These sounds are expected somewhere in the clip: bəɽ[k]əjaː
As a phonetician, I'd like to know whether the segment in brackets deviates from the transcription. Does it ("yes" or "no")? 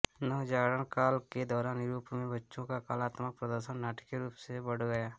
yes